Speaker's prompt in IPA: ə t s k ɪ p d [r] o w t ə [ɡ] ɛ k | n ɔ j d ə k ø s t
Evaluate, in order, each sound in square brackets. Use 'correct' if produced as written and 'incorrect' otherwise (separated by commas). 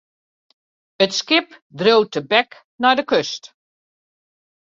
correct, incorrect